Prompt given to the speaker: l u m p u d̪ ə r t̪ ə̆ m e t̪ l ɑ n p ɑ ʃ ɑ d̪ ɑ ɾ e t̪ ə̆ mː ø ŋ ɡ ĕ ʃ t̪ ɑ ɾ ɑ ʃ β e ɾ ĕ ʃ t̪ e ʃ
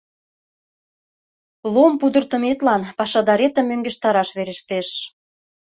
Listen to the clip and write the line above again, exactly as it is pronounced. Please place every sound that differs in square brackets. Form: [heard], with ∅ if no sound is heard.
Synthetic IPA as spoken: l [o] m p u d̪ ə r t̪ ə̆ m e t̪ l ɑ n p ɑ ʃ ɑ d̪ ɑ ɾ e t̪ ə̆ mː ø ŋ ɡ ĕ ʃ t̪ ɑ ɾ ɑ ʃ β e ɾ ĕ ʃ t̪ e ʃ